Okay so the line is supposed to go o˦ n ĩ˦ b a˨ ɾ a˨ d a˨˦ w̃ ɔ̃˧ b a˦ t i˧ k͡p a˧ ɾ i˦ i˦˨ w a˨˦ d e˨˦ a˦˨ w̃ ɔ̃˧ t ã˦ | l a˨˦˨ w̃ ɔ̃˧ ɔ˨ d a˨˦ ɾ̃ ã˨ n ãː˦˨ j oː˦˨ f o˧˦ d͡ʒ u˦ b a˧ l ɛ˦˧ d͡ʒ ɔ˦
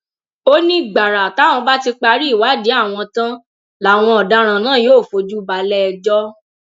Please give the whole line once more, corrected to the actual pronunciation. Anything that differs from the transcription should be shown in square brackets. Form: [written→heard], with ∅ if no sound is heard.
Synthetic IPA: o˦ n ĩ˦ [b→ɡ͡b] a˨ ɾ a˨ [d→t] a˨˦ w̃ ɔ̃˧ b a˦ t i˧ k͡p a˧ ɾ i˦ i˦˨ w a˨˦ d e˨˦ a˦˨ w̃ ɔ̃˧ t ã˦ | l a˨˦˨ w̃ ɔ̃˧ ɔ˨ d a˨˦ ɾ̃ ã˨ n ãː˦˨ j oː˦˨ f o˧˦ d͡ʒ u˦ b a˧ l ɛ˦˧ d͡ʒ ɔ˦